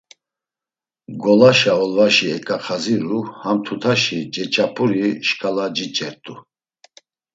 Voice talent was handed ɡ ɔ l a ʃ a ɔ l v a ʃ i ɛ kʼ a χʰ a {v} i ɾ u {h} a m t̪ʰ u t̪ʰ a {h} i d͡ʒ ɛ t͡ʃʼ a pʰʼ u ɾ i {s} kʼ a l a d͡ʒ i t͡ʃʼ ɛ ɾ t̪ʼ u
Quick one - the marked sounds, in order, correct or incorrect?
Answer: incorrect: z, correct, incorrect: ʃ, incorrect: ʃ

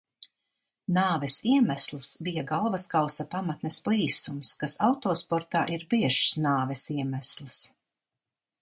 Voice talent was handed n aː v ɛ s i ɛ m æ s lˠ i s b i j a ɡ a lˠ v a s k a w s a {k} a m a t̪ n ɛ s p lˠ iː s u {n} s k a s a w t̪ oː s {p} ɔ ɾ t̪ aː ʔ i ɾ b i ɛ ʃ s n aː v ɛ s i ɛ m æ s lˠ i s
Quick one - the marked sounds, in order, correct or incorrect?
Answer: incorrect: p, incorrect: m, correct

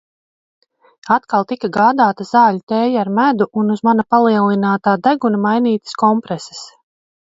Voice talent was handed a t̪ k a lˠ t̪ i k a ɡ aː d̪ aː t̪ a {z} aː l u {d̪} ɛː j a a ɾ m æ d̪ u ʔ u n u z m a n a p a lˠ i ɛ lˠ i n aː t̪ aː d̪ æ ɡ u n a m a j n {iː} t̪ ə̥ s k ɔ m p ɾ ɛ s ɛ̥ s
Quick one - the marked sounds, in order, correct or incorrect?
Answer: correct, incorrect: t̪, correct

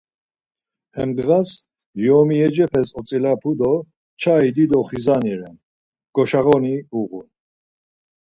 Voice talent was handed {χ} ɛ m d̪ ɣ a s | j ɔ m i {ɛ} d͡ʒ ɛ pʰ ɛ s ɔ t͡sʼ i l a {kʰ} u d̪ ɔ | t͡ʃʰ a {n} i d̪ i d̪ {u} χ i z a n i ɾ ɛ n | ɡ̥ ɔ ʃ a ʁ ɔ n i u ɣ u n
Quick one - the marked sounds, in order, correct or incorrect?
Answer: incorrect: h, correct, incorrect: pʰ, incorrect: none, incorrect: ɔ

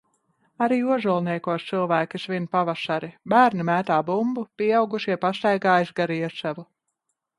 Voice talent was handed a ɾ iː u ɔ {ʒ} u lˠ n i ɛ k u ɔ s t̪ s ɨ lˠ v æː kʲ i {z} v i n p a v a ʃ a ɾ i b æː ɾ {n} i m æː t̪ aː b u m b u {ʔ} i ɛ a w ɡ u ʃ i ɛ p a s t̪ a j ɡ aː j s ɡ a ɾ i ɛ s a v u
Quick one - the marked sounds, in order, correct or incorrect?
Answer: correct, incorrect: s, correct, incorrect: p

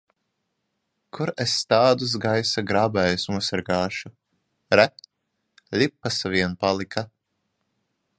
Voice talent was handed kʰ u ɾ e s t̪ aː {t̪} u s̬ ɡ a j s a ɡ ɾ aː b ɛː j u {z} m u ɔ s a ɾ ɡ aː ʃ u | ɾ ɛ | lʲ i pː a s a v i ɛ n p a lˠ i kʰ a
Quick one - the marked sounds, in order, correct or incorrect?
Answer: incorrect: d̪, incorrect: s

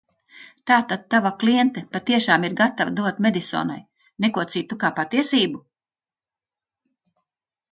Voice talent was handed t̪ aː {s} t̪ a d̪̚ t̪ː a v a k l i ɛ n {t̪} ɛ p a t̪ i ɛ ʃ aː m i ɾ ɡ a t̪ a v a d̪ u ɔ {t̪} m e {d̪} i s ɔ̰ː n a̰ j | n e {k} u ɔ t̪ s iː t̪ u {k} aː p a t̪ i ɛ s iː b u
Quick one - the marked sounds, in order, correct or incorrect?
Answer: incorrect: none, correct, correct, correct, correct, correct

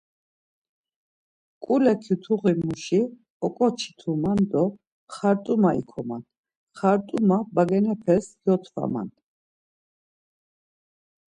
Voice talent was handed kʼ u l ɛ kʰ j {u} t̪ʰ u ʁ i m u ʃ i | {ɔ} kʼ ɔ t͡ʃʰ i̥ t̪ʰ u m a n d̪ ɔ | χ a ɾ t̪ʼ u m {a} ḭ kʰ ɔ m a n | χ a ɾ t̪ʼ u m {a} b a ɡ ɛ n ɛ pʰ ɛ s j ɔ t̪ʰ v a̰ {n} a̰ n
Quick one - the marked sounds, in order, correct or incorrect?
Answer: correct, correct, correct, correct, incorrect: m

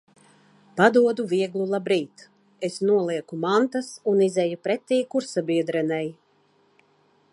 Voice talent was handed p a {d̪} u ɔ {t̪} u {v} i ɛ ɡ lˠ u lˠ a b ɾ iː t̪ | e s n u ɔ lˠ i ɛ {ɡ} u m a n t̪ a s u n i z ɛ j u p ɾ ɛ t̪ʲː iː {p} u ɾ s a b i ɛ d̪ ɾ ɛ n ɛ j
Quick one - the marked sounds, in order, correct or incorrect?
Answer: correct, incorrect: d̪, correct, incorrect: k, incorrect: k

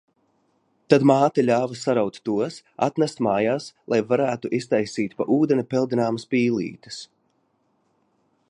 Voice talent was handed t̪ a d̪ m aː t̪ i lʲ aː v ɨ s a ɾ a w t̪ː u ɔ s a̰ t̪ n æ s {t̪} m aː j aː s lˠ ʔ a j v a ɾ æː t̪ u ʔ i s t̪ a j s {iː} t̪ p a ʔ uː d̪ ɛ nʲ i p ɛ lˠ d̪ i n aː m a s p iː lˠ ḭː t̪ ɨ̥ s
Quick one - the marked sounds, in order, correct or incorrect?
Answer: correct, correct

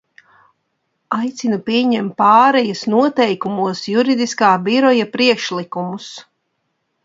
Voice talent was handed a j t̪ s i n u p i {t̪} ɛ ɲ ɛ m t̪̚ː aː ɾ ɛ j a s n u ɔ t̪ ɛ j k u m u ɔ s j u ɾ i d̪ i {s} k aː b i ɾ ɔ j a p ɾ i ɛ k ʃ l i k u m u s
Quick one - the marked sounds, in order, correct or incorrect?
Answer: incorrect: none, correct

